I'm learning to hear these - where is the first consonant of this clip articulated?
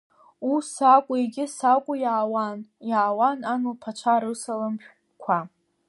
tongue tip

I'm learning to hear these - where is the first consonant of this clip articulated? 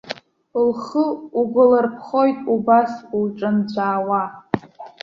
tongue tip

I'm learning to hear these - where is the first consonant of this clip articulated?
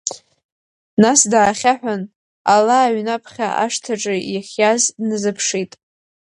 tongue tip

